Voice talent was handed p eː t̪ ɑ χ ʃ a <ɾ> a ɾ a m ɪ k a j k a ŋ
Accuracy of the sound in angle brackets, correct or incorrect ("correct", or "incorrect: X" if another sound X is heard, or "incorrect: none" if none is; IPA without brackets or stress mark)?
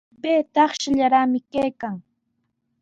incorrect: ʎ